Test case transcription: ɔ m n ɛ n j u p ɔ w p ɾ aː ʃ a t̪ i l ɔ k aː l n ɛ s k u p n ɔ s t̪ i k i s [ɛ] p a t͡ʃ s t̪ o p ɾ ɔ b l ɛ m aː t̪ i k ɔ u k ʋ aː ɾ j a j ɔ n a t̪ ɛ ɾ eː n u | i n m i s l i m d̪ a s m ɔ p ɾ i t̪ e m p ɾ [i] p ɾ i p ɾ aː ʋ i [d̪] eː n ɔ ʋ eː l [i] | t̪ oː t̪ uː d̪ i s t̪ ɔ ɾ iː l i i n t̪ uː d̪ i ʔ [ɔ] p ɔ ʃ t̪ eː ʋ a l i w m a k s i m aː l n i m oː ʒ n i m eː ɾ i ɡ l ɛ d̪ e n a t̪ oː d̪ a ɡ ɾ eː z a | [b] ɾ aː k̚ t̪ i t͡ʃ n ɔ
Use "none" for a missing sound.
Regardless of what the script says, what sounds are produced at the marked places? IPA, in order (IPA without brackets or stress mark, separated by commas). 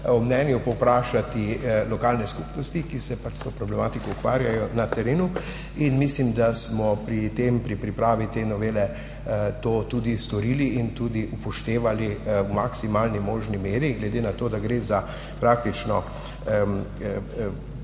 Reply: ɛ, i, t̪, ɛ, u, p